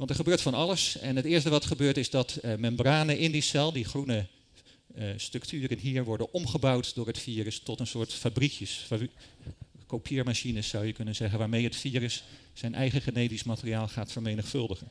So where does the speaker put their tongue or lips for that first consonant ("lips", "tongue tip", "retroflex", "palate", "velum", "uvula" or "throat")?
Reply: lips